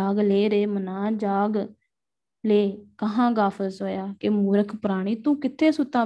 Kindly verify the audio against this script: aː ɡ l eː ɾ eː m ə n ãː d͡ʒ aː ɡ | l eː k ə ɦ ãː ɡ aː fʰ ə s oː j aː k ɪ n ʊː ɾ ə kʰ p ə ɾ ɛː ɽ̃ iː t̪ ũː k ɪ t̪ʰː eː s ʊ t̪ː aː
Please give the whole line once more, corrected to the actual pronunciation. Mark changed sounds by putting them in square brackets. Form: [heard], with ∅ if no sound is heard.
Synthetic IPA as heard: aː ɡ l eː ɾ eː m ə n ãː d͡ʒ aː ɡ | l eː k ə ɦ ãː ɡ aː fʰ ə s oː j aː k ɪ [m] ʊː ɾ ə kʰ p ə ɾ [aː] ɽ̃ iː t̪ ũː k ɪ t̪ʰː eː s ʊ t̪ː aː